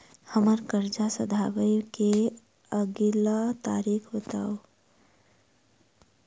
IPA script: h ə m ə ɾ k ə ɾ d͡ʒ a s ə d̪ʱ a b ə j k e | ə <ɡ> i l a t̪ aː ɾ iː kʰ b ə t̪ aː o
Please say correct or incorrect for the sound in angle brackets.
correct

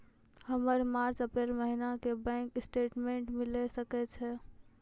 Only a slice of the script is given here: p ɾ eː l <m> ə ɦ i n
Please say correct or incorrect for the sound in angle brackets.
correct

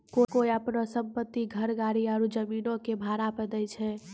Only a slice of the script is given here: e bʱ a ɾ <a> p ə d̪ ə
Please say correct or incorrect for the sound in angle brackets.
correct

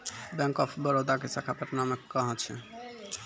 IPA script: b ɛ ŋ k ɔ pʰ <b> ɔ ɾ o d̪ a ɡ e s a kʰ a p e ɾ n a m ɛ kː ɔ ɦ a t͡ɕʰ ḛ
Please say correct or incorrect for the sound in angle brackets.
correct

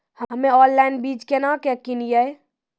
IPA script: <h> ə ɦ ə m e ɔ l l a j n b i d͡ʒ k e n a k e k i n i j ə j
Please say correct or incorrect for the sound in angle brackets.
correct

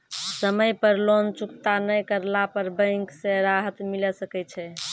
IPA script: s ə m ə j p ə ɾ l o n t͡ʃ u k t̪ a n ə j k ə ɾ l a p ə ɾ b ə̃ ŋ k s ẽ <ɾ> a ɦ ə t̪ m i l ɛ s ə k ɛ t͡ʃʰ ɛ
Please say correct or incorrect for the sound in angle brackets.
correct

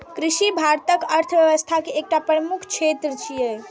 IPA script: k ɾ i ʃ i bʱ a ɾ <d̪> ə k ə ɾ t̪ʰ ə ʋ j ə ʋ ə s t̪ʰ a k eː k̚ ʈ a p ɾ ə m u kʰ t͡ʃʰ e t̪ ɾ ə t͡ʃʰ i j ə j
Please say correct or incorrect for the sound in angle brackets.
incorrect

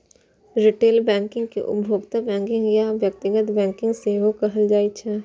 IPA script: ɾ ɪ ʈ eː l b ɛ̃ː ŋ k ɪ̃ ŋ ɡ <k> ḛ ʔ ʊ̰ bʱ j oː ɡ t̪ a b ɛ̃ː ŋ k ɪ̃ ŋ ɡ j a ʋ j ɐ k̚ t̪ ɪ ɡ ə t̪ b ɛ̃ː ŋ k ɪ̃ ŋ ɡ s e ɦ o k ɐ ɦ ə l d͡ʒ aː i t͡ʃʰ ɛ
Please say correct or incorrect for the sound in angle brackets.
correct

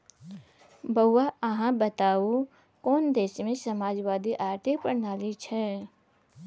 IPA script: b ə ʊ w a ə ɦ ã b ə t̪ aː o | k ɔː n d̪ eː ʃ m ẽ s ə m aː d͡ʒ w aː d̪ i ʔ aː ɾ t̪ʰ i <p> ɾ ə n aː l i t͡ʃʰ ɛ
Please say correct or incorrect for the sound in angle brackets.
correct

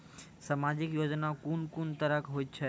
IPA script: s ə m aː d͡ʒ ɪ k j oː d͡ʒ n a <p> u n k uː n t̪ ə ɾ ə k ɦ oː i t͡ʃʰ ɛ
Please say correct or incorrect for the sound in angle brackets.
incorrect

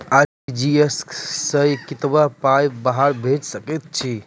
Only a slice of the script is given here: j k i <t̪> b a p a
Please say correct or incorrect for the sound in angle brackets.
correct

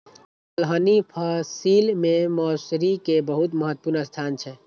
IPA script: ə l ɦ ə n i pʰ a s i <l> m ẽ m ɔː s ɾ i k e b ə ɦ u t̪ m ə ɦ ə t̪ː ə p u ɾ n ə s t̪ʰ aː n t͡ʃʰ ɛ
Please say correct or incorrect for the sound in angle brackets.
correct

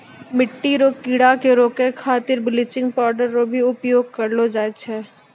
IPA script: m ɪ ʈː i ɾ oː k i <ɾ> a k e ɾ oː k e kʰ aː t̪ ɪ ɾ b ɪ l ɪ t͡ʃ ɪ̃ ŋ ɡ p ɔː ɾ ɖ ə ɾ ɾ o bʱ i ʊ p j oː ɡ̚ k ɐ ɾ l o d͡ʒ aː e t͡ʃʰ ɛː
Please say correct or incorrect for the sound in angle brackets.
incorrect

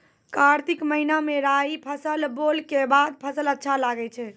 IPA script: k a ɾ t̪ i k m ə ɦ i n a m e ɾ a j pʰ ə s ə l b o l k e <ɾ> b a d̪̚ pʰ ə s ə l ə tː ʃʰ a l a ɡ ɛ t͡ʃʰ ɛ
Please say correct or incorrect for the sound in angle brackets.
incorrect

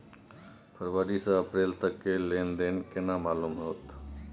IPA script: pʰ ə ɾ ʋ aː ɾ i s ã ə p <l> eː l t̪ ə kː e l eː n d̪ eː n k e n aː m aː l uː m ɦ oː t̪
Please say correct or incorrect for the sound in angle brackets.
incorrect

